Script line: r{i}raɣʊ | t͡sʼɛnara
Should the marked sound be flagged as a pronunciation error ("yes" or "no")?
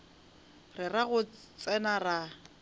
yes